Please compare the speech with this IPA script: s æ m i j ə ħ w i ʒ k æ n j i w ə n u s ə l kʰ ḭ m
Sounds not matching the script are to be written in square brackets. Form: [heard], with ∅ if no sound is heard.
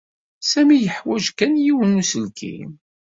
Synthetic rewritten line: s æ m i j ə ħ w [æ] ʒ k æ n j i w ə n u s ə l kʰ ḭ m